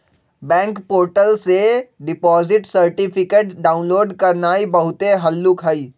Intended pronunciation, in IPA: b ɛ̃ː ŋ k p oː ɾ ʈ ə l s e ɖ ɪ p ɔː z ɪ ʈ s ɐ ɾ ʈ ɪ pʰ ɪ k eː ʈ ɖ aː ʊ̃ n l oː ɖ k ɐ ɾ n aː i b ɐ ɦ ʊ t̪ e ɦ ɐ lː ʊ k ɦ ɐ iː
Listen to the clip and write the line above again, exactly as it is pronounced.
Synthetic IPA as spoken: b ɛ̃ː ŋ k p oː ɾ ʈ ə l s e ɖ ɪ p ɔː z ɪ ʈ s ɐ ɾ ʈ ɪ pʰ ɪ k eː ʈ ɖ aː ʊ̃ n l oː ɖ k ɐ ɾ n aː i b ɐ ɦ ʊ t̪ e ɦ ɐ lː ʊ k ɦ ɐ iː